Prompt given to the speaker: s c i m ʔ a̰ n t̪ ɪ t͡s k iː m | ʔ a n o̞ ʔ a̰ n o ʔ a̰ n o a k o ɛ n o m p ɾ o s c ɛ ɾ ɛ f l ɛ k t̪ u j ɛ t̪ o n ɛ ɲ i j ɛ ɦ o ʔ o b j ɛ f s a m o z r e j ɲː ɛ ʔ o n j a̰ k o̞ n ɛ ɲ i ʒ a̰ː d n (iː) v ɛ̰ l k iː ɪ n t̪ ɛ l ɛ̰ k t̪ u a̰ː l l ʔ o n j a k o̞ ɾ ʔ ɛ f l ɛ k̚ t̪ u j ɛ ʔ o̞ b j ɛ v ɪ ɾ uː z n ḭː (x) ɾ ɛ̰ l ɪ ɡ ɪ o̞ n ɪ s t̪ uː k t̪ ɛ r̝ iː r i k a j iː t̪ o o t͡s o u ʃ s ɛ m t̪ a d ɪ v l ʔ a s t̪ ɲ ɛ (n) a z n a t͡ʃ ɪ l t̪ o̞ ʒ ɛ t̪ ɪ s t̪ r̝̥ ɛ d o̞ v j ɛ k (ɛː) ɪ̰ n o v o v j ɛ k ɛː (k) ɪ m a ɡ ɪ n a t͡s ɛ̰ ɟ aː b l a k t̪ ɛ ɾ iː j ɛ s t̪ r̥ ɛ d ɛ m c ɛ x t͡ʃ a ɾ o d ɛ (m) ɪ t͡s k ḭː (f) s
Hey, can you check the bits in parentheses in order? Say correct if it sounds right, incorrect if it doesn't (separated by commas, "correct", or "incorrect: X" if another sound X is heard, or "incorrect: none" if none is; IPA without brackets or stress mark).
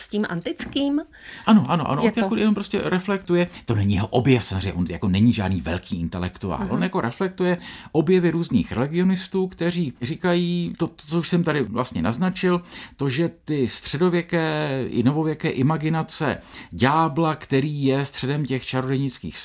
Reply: correct, correct, correct, correct, incorrect: ʔ, incorrect: ɲ, incorrect: x